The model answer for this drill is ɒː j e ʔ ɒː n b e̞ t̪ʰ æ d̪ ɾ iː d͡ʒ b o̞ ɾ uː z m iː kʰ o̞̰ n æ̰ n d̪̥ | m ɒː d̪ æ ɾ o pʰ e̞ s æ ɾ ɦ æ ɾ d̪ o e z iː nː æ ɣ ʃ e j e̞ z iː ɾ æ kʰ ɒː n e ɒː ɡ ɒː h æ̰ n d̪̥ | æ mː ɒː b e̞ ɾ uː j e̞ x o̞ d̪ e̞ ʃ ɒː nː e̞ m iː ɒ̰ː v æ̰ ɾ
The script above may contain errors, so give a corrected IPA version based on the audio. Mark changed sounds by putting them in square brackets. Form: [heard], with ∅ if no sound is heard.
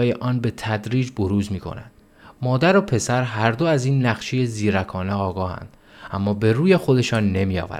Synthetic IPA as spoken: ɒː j e ʔ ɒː n b e̞ t̪ʰ æ d̪ ɾ iː d͡ʒ b o̞ ɾ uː z m iː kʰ o̞̰ n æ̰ n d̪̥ | m ɒː d̪ æ ɾ o pʰ e̞ s æ ɾ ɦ æ ɾ d̪ o [æ] z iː nː æ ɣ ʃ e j e̞ z iː ɾ æ kʰ ɒː n e ɒː ɡ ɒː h æ̰ n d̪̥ | æ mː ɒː b e̞ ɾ uː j e̞ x o̞ d̪ e̞ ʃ ɒː nː e̞ m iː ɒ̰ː v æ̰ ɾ